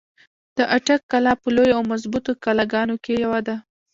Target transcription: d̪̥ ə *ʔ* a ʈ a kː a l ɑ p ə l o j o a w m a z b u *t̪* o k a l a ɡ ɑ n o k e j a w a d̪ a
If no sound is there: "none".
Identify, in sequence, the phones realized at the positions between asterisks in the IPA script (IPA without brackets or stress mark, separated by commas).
ʔ, t̪